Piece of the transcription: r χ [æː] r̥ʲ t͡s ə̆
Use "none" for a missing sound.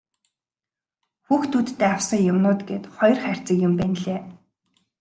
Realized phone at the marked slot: æ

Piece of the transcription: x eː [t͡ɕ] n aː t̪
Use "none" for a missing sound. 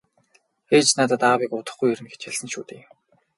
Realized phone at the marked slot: t͡ɕ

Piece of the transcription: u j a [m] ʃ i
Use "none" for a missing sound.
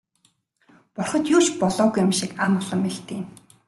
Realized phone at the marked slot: m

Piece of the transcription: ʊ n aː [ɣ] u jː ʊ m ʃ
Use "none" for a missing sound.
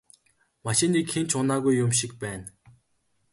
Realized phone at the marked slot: ɣ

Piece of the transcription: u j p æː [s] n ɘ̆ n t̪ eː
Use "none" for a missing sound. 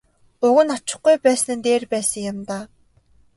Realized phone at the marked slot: s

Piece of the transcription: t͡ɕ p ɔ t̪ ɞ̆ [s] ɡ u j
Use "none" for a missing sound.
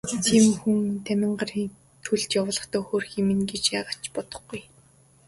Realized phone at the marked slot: χ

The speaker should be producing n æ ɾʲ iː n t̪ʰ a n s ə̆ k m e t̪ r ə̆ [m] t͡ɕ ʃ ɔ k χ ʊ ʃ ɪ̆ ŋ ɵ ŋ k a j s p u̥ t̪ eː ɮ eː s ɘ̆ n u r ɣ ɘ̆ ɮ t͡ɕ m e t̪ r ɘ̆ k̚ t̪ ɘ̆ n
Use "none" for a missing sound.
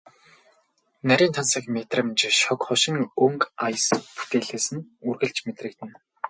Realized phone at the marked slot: m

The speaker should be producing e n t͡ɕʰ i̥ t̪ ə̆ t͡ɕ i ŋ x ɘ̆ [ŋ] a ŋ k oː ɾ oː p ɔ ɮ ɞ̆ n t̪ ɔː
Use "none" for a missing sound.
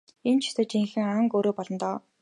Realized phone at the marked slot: ŋ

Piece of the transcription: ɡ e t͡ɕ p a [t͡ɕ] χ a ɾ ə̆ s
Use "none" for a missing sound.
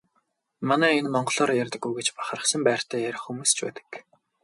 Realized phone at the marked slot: none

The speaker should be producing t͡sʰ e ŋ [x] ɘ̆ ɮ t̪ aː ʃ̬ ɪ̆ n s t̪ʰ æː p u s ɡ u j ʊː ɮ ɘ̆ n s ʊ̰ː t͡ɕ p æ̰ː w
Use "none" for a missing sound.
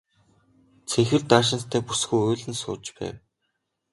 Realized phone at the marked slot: x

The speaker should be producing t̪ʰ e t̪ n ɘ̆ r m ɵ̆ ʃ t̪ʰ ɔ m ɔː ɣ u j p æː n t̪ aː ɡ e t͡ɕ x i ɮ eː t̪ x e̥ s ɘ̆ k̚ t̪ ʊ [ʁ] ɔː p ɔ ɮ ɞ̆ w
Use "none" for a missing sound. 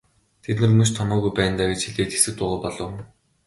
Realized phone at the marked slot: ʁ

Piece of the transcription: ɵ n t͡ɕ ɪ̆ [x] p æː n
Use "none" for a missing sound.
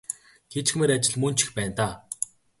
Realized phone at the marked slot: x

